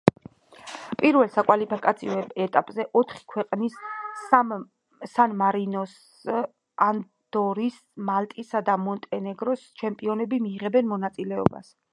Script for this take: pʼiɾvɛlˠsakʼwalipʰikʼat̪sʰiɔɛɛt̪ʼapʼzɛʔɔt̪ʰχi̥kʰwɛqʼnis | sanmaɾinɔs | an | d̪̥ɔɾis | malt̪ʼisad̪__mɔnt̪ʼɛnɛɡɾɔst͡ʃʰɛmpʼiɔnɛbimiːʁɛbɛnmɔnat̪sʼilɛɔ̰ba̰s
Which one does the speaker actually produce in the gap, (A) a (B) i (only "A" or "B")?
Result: A